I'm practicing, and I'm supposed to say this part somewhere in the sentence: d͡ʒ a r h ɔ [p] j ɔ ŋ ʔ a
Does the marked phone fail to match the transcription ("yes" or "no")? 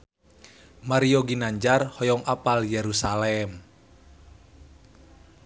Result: yes